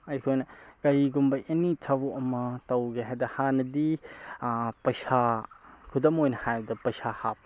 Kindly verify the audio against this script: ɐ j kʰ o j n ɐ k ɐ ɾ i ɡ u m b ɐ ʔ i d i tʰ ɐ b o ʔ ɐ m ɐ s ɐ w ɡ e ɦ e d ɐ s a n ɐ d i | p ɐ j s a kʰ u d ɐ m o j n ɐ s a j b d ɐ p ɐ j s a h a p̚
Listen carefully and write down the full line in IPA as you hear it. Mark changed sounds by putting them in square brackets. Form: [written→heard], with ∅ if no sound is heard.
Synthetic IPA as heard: ɐ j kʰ o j n ɐ k ɐ ɾ i ɡ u m b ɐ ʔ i [d→n] i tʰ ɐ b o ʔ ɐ m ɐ [s→t] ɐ w ɡ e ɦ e d ɐ [s→h] a n ɐ d i | p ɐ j s a kʰ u d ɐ m o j n ɐ [s→h] a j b d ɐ p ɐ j s a h a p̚